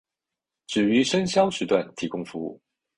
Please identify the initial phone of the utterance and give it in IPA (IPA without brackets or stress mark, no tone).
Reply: ʈ͡ʂ